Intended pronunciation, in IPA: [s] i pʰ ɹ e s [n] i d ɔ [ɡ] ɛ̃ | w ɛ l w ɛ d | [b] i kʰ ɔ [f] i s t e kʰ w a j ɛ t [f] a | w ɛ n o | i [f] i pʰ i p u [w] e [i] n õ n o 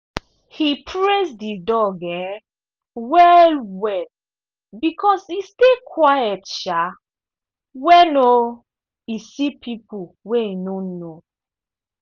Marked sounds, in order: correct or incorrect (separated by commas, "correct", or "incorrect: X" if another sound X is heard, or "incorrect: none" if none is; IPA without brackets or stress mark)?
incorrect: h, incorrect: d, correct, correct, incorrect: s, incorrect: ʃ, incorrect: s, correct, correct